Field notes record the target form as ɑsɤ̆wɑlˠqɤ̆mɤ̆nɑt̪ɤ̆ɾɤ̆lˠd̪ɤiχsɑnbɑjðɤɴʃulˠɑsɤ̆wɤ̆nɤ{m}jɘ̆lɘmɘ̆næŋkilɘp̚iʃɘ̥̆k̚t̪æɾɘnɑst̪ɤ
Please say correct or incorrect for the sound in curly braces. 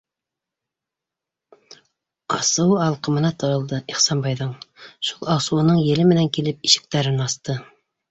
incorrect